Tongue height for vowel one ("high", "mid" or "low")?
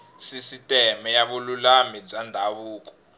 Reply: high